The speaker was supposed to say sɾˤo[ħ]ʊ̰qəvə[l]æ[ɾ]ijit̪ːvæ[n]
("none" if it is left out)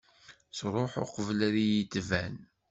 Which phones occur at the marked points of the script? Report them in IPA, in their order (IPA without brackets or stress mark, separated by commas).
ħ, l, ɾ, n